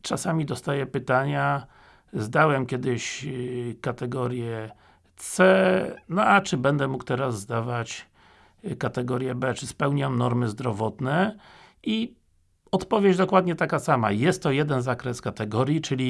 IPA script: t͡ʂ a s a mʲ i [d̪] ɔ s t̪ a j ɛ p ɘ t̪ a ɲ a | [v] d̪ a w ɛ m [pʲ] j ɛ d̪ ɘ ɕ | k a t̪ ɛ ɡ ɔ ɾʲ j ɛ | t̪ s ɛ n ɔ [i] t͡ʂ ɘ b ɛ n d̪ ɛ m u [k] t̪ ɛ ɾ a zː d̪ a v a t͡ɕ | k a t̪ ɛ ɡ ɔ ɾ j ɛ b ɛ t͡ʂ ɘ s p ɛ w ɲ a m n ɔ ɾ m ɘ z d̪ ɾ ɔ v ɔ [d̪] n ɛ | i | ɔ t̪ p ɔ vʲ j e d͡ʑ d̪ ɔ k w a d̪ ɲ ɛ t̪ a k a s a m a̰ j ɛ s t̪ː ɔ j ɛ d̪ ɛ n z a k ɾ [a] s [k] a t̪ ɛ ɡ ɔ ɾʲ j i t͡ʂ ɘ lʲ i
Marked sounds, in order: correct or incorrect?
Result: correct, incorrect, incorrect, incorrect, correct, incorrect, incorrect, correct

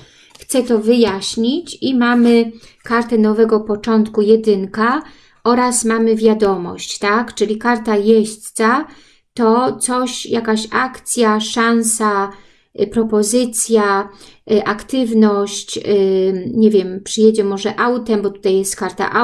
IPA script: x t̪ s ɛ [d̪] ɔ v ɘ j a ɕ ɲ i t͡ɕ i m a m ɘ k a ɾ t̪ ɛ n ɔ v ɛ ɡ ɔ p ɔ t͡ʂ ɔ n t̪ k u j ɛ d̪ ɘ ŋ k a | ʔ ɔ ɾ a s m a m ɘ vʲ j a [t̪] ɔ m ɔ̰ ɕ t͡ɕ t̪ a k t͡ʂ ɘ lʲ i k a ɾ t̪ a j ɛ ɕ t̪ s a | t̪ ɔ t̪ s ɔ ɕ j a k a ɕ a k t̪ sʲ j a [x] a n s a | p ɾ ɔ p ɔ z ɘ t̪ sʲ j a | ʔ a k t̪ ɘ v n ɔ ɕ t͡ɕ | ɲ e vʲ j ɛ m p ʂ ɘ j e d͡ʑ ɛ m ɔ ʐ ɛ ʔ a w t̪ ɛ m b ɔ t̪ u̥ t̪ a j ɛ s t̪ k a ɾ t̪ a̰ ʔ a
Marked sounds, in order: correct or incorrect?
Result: incorrect, incorrect, incorrect

